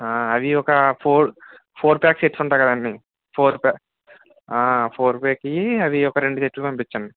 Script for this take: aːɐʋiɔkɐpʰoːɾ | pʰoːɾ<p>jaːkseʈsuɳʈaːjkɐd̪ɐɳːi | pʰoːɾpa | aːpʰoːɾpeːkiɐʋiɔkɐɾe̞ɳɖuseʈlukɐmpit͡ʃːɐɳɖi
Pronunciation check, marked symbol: correct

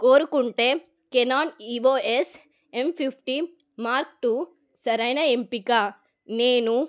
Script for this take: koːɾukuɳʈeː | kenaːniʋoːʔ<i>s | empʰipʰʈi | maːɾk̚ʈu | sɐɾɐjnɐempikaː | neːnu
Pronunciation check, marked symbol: incorrect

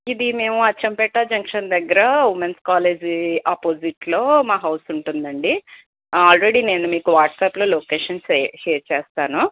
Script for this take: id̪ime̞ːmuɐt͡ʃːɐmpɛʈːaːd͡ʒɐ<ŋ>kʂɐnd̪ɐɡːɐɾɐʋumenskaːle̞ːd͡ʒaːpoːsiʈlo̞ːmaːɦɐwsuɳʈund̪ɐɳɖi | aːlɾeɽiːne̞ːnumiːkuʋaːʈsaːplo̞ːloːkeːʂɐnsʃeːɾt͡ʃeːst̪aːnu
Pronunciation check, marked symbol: correct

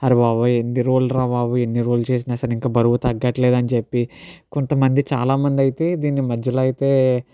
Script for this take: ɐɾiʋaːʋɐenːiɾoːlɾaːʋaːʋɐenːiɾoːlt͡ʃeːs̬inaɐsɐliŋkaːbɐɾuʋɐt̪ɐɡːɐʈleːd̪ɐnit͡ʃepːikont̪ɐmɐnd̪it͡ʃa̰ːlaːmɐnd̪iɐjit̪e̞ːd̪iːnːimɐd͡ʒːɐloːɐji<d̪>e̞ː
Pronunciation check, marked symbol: incorrect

